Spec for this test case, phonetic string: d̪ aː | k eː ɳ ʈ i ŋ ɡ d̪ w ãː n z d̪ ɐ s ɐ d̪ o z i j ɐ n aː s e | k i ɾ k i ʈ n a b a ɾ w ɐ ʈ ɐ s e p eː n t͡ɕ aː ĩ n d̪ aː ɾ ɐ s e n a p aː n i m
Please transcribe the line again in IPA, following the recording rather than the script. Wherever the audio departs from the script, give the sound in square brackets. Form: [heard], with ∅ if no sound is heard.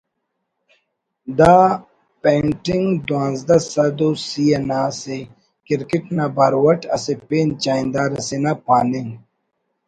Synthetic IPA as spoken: d̪ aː | [p] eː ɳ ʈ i ŋ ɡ d̪ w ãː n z d̪ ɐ s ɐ d̪ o [s] i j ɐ n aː s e | k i ɾ k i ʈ n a b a ɾ w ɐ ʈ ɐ s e p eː n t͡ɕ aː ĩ n d̪ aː ɾ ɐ s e n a p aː n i [ŋ]

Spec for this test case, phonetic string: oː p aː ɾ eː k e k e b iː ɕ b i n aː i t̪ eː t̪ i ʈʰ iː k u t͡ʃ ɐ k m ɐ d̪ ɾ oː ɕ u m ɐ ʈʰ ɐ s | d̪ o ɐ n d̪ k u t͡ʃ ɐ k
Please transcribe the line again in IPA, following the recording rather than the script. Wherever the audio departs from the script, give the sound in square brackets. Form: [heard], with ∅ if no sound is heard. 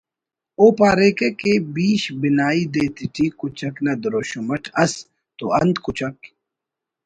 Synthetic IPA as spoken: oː p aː ɾ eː k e k e b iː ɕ b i n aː i [d̪] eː t̪ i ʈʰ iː k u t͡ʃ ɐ k [n] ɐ d̪ ɾ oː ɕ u m ɐ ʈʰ ɐ s | [t̪] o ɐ n d̪ k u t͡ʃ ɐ k

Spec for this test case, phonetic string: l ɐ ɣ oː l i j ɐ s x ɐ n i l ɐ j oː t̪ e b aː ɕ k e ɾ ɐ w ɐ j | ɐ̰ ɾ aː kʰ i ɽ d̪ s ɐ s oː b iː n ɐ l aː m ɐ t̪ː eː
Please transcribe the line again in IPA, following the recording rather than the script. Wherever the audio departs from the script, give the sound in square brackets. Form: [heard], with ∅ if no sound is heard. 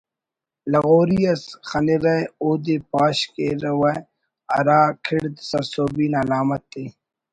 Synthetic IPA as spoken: l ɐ ɣ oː [ɾ] i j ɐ s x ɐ n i [ɾ] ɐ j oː [d̪] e [p] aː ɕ k e ɾ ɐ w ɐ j | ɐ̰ ɾ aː kʰ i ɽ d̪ s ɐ s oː b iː n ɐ l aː m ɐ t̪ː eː

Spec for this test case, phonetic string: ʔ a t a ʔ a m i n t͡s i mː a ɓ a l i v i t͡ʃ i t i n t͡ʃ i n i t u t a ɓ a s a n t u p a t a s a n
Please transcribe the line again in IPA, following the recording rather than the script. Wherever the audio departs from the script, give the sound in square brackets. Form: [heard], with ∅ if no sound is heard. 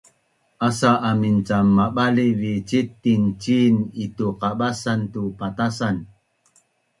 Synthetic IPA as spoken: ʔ a [s] a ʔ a m i n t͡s [a] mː a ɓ a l i v i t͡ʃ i t i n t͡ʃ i n i t u [q] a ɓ a s a n t u p a t a s a n

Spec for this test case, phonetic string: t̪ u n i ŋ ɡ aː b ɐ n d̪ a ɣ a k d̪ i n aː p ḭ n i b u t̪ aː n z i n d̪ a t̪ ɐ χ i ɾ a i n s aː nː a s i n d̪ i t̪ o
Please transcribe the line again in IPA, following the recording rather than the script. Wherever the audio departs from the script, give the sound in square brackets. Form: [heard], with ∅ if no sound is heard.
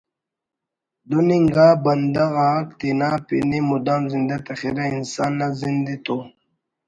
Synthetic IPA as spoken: [d̪] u n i ŋ ɡ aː b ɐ n d̪ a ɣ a k [t̪] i n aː p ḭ n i [m] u [d̪] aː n z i n d̪ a t̪ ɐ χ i ɾ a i n s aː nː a [z] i n d̪ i t̪ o

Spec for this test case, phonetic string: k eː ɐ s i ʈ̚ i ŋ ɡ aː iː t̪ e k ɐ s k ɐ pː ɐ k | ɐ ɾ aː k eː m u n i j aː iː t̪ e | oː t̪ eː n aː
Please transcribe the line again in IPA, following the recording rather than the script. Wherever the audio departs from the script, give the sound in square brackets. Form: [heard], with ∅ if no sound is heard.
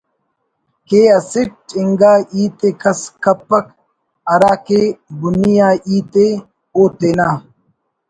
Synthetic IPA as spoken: k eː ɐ s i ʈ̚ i ŋ ɡ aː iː t̪ e k ɐ s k ɐ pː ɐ k | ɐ ɾ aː k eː [b] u n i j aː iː t̪ e | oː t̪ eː n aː

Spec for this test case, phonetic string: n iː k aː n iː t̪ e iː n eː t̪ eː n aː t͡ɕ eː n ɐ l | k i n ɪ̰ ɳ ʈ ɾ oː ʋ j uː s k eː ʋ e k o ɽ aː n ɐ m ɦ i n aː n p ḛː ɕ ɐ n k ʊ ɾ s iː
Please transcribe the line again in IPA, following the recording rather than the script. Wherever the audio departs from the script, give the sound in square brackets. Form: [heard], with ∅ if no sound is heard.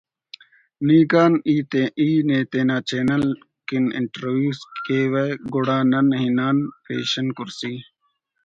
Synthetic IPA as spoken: n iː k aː n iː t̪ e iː n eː t̪ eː n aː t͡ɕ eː n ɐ l | k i n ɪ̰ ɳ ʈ ɾ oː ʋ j uː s k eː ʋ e [ɡ] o ɽ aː n ɐ [n] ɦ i n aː n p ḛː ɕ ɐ n k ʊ ɾ s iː

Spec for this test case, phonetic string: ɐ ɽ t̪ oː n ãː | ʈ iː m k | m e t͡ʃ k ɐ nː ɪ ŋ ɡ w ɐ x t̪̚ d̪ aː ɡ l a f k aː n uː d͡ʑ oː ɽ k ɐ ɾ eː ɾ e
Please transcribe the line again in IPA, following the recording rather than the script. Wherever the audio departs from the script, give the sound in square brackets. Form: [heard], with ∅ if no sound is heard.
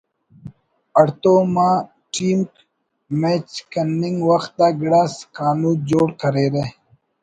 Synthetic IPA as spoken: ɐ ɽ t̪ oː [m] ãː | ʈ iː m k | m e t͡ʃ k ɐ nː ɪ ŋ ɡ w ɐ x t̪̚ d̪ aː ɡ [ɽ] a [s] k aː n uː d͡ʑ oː ɽ k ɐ ɾ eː ɾ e

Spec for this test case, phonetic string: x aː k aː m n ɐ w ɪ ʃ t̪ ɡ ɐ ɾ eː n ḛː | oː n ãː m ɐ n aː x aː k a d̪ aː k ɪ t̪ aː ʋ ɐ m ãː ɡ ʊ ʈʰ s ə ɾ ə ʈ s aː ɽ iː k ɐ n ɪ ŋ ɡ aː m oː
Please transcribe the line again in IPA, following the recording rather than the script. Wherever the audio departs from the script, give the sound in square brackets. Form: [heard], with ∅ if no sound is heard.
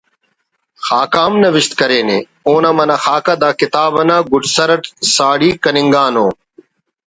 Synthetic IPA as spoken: x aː k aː m n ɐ [ʋ] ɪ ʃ t̪ [k] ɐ ɾ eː n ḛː | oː n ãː m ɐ n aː x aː k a d̪ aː k ɪ t̪ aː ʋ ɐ [n] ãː ɡ ʊ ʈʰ s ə ɾ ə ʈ s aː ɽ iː k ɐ n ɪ ŋ ɡ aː [n] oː

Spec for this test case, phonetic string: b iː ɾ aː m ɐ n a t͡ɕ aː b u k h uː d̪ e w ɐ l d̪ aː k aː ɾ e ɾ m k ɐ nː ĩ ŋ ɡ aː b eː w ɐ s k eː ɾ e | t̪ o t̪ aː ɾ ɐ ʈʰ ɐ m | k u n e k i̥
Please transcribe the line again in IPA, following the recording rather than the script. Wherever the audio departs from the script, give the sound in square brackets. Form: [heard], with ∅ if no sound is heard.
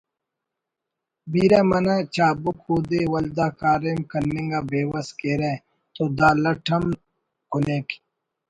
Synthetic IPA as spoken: b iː ɾ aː m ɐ n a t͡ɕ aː b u k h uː d̪ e w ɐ l d̪ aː k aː ɾ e [∅] m k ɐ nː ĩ ŋ ɡ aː b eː w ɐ s k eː ɾ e | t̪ o [d̪] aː [l] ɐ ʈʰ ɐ m | k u n e k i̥

